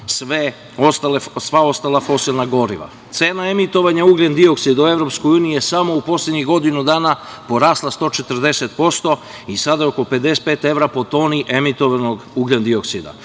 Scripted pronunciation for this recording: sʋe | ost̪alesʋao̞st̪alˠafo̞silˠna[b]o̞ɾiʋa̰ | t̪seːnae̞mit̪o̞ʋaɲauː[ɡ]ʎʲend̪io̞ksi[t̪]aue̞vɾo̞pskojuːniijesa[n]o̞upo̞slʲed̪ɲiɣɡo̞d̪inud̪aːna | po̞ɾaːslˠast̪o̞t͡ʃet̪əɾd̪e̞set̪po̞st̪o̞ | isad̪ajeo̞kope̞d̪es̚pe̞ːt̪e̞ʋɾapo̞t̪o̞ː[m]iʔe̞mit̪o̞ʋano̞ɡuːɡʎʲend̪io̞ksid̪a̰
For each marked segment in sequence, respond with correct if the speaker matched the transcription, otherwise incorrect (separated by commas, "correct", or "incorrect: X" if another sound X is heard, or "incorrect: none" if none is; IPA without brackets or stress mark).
incorrect: ɡ, correct, incorrect: d̪, incorrect: m, incorrect: n